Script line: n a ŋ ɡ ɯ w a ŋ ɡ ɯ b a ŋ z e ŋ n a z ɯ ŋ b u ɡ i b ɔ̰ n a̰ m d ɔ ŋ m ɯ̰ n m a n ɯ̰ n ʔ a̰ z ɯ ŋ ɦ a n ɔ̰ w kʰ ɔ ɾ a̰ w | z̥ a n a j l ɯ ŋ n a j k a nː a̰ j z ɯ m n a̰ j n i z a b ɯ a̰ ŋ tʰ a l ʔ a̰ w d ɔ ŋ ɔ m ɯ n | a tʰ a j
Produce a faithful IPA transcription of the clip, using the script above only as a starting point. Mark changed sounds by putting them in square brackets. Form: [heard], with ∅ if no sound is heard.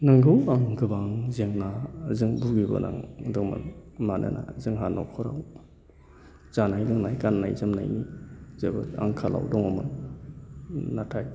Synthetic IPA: n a ŋ ɡ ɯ w a ŋ ɡ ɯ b a ŋ z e ŋ n a z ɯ ŋ b u ɡ i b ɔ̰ n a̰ [ŋ] d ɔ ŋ m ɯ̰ n m a n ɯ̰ n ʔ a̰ z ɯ ŋ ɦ a n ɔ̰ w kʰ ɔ ɾ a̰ w | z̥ a n a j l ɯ ŋ n a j k a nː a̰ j z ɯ m n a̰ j n i z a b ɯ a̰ ŋ [kʰ] a l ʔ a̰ w d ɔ ŋ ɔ m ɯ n | a tʰ a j